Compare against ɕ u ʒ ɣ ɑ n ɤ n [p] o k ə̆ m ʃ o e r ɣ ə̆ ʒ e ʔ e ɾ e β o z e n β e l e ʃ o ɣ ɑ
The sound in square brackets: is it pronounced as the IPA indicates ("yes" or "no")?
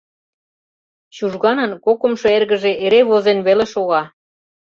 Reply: no